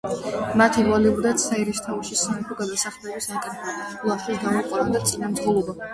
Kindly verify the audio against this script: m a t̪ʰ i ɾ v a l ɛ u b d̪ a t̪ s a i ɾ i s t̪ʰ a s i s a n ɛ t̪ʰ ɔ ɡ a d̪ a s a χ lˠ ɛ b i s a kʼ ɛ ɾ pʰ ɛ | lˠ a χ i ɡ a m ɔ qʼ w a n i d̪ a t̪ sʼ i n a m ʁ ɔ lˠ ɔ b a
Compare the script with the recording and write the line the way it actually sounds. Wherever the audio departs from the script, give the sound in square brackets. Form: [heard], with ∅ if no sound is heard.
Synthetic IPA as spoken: m a t̪ʰ i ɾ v a l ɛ u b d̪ a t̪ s a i ɾ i s t̪ʰ a [ʃ] i s a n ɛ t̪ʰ ɔ ɡ a d̪ a s a χ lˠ ɛ b i s a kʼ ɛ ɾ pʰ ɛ | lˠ a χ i ɡ a m ɔ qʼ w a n [a] d̪ a t̪ sʼ i n a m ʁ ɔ lˠ ɔ b a